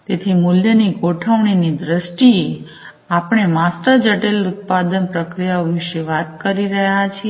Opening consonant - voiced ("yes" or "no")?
no